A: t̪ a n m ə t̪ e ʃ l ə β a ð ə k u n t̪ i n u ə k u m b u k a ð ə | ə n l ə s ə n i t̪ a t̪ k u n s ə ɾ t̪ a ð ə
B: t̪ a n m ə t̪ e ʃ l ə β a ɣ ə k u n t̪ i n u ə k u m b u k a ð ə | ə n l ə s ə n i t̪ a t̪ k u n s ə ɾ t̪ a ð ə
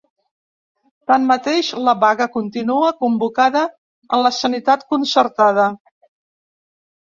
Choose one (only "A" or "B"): B